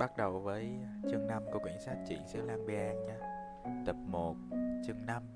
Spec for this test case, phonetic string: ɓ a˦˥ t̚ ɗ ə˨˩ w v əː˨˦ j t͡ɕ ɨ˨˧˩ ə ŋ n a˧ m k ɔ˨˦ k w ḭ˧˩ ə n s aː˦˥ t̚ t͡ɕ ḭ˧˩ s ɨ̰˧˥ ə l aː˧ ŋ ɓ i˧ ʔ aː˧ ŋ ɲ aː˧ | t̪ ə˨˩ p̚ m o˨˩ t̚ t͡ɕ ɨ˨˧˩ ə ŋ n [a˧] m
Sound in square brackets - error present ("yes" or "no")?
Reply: no